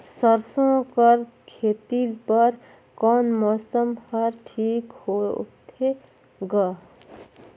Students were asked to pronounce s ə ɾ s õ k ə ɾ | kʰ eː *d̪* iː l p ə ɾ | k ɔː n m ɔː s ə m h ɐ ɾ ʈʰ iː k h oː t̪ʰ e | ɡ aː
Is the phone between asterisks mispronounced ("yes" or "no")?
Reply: yes